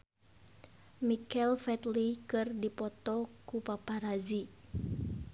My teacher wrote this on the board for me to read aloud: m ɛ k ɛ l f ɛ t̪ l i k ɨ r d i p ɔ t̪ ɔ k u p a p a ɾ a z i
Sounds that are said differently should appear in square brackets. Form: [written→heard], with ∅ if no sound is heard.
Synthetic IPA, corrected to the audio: m [ɛ→i] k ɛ l f ɛ t̪ l i k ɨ r d i p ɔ t̪ ɔ k u p a p a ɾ a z i